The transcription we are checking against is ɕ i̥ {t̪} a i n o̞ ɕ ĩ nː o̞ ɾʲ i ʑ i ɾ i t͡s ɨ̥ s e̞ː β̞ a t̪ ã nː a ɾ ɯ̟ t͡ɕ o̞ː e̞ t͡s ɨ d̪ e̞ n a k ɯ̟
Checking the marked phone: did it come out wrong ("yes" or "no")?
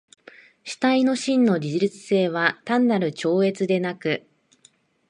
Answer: no